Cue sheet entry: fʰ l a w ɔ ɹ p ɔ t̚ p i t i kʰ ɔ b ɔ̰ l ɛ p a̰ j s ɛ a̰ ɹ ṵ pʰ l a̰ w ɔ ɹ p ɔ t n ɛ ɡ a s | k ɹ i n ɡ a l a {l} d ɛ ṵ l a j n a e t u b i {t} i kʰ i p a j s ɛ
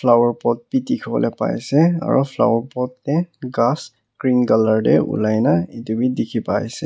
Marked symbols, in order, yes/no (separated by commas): no, no